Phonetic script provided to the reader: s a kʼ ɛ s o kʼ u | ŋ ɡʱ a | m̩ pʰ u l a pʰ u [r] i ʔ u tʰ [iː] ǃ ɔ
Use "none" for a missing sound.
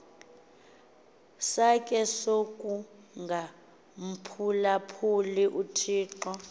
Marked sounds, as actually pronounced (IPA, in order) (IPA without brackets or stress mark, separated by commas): l, iː